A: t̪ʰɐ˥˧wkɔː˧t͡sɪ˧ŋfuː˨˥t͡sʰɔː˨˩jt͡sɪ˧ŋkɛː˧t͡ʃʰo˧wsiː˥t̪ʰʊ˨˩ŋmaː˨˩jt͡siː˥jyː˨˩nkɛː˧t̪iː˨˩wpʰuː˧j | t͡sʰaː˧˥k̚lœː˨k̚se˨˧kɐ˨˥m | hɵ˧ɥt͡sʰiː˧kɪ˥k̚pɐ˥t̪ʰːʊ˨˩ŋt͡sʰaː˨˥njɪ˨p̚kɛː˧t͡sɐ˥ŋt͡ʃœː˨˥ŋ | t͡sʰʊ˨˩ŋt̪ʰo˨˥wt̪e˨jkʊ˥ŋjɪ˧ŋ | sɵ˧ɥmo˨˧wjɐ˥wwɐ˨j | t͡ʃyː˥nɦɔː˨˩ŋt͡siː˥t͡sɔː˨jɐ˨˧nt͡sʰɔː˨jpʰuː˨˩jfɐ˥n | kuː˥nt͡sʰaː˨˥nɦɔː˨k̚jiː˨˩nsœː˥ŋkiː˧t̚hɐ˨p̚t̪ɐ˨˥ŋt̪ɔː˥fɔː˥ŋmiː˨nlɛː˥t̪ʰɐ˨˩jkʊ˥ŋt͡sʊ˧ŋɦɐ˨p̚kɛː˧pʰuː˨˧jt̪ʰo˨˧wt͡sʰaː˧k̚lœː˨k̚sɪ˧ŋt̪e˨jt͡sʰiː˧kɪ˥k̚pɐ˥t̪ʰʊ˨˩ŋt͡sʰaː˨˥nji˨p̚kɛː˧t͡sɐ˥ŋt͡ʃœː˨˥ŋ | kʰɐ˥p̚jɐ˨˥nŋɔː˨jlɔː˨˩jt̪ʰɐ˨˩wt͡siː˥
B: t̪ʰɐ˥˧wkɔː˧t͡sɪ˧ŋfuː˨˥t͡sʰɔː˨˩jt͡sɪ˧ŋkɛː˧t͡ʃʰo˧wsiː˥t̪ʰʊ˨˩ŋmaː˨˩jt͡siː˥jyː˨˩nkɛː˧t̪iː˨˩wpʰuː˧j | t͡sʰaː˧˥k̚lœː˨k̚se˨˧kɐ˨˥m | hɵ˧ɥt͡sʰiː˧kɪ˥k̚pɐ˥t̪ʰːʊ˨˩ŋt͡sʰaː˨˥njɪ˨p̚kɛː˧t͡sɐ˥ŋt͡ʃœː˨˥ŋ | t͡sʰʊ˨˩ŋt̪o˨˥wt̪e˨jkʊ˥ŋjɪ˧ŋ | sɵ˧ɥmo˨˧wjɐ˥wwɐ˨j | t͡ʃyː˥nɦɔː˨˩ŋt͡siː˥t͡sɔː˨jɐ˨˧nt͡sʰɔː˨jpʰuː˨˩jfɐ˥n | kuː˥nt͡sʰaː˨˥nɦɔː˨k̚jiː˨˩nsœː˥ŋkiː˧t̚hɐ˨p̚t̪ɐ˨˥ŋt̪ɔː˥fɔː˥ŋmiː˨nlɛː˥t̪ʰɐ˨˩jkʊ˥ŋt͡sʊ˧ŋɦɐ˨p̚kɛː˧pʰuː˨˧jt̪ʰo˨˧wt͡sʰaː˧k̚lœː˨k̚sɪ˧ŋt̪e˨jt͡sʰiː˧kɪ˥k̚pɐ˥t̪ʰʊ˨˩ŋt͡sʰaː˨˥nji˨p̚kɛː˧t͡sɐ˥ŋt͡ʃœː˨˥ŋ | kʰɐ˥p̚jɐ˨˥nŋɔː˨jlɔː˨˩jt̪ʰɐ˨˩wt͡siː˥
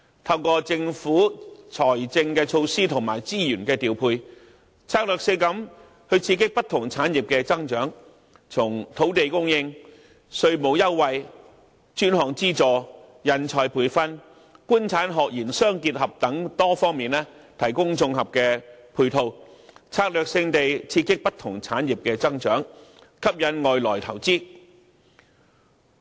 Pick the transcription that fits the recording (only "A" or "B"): A